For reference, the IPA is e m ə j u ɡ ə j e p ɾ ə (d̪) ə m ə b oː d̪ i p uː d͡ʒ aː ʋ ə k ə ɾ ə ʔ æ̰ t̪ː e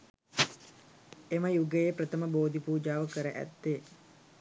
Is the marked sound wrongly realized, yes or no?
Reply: yes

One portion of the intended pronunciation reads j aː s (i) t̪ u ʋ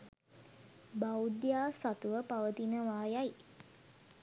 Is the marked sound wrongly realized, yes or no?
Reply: yes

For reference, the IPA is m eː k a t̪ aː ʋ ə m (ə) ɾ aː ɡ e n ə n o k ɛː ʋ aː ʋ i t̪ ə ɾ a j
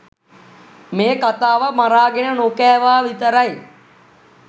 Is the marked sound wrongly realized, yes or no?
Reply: yes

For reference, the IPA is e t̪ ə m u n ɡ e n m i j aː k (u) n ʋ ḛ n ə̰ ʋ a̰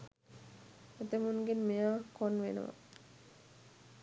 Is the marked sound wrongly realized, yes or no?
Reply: yes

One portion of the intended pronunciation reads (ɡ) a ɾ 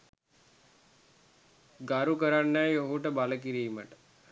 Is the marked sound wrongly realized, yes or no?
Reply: no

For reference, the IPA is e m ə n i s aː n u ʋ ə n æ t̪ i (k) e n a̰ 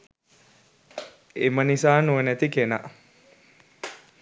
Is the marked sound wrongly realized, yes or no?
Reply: no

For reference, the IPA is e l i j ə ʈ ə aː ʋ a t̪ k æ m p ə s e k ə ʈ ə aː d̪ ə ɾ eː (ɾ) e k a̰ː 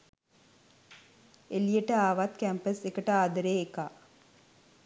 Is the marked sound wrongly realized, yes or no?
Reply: yes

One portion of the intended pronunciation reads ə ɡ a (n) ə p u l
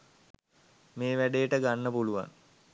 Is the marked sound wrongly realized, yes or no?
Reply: yes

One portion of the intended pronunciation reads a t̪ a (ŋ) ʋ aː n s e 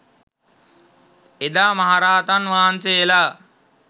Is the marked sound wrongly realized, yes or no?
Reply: yes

